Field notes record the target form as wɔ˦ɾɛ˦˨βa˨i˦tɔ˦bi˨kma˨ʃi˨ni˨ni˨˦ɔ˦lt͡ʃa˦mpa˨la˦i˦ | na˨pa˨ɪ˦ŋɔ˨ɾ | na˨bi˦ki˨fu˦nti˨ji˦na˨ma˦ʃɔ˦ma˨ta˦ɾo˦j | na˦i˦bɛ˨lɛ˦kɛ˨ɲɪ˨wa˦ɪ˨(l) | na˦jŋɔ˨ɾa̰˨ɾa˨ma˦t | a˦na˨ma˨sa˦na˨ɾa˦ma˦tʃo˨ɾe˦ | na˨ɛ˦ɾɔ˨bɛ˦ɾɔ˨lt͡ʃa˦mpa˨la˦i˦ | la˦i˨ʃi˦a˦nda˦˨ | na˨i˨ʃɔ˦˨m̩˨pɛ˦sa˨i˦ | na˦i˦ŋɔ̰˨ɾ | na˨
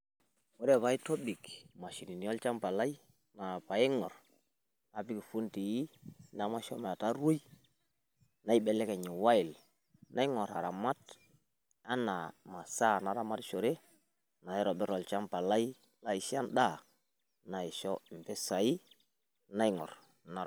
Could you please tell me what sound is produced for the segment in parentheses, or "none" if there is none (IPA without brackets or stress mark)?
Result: l